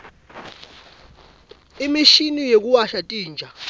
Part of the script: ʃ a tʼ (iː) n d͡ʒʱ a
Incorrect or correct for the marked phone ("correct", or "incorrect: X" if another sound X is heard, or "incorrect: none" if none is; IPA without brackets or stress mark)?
correct